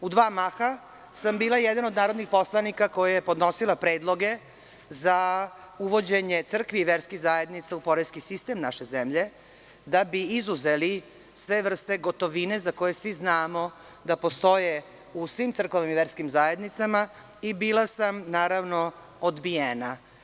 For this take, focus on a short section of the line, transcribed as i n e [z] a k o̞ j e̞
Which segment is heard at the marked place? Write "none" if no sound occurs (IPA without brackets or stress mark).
z